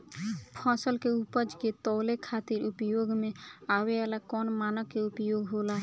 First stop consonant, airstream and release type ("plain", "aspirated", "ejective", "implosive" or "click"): aspirated